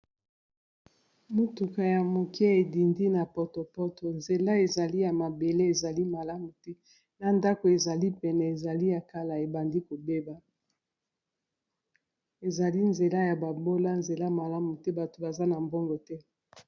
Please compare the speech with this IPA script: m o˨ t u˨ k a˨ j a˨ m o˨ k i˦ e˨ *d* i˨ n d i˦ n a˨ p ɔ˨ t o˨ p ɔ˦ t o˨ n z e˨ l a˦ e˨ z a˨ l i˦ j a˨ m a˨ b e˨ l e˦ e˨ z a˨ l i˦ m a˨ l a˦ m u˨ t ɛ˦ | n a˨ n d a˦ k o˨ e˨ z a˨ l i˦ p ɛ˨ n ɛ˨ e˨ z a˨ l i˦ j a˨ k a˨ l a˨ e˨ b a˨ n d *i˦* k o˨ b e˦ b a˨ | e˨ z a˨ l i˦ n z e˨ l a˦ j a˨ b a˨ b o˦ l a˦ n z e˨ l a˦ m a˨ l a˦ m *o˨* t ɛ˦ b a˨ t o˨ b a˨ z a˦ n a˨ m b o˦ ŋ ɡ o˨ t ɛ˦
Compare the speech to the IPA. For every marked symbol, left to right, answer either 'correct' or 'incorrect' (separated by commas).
correct, correct, incorrect